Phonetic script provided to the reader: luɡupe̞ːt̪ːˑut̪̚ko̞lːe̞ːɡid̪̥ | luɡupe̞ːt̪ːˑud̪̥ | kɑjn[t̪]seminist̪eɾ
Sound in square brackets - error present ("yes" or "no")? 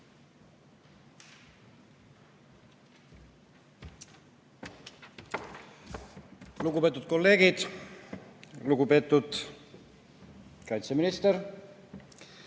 no